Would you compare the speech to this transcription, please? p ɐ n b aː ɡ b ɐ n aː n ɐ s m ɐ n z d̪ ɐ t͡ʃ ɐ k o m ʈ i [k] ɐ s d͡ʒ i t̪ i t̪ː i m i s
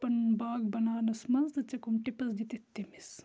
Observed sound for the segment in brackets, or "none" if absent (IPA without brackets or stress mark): p